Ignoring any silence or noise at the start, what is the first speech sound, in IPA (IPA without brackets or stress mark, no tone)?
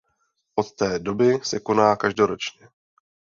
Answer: ʔ